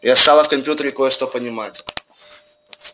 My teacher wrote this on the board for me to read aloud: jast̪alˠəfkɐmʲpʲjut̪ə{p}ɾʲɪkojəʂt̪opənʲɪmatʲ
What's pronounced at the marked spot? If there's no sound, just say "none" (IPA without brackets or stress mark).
none